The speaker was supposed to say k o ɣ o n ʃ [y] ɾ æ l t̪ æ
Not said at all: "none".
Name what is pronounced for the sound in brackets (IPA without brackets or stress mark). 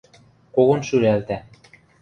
y